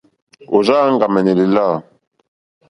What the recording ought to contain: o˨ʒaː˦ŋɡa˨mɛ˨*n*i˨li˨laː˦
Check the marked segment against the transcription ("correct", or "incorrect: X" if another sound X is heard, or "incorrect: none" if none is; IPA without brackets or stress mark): correct